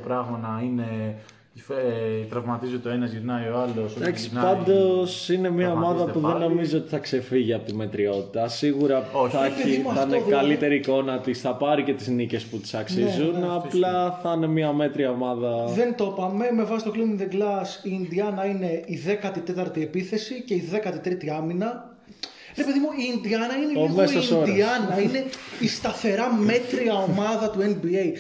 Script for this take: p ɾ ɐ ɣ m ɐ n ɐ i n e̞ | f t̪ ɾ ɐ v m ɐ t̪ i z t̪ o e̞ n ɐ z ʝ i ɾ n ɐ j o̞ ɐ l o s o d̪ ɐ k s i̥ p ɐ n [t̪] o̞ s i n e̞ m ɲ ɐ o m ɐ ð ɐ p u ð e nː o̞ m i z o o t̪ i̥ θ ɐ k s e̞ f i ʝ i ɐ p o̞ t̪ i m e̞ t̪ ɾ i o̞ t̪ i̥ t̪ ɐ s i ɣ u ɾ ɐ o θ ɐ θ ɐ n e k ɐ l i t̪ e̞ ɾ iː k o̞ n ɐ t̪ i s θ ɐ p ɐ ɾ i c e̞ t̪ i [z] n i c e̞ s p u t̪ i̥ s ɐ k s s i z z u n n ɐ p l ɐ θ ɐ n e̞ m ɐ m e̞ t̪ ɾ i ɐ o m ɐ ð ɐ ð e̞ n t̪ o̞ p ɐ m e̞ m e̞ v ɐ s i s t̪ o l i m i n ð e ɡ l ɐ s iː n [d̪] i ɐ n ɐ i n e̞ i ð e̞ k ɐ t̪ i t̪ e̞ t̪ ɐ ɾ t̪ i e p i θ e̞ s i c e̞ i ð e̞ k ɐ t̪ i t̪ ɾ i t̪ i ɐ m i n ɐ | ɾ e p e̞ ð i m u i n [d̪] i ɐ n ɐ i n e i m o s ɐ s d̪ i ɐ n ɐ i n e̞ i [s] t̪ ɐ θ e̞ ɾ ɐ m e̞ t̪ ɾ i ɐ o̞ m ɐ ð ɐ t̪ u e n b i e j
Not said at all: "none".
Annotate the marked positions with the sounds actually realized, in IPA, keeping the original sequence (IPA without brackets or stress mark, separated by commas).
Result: d̪, z, d̪, d̪, s